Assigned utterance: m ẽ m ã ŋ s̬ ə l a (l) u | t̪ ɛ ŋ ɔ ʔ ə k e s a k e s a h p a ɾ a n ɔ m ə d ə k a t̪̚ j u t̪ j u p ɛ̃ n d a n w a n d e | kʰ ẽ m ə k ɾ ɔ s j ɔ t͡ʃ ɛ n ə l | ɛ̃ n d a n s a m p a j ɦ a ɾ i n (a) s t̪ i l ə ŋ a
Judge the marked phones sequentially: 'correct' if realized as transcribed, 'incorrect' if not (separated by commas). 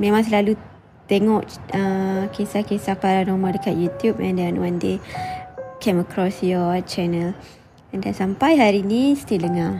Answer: correct, incorrect